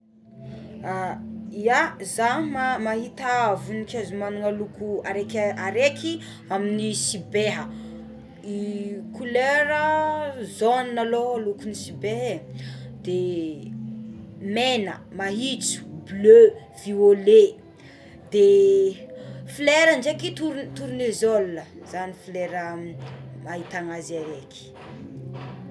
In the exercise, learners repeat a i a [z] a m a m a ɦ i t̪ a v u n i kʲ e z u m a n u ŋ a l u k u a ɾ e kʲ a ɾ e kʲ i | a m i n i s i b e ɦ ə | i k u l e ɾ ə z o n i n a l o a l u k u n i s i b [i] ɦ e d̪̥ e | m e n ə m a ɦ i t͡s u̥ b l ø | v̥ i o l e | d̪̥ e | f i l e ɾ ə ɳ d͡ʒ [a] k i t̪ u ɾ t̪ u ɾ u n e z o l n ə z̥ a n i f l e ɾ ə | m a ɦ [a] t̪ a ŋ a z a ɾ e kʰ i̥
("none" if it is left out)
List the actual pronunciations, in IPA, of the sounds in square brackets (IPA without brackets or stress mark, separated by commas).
z, e, e, i